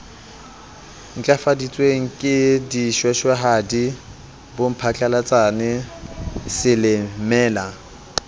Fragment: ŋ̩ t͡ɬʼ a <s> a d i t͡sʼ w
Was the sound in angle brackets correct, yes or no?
no